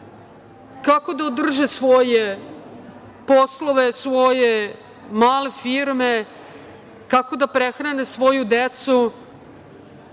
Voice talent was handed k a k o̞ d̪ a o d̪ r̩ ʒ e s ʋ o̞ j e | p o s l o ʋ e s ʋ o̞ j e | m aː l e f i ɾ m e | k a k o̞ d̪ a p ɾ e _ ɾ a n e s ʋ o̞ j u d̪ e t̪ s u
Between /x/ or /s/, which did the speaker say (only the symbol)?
x